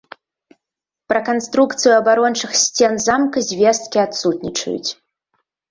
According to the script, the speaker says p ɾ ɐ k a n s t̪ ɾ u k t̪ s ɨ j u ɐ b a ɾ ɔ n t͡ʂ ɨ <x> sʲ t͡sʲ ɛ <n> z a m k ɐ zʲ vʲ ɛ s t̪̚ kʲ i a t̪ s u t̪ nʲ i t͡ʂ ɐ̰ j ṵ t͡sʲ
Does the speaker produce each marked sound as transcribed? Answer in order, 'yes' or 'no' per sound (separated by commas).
yes, yes